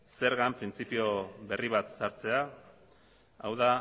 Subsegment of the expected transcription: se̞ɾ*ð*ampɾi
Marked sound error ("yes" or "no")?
yes